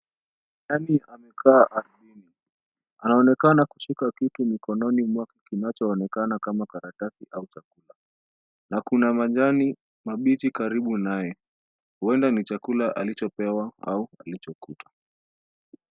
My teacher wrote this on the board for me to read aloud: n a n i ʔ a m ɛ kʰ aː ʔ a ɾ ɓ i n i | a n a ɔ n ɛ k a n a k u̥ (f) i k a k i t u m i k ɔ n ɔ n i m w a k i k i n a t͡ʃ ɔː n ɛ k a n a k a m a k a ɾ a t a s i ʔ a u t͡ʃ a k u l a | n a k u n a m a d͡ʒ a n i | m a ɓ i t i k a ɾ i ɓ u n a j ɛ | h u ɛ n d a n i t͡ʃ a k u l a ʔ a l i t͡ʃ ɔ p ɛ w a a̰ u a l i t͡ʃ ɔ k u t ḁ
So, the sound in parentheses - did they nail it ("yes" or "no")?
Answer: no